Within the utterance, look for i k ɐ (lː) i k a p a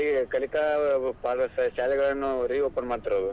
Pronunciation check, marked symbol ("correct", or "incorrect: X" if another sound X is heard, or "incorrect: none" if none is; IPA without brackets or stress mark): incorrect: l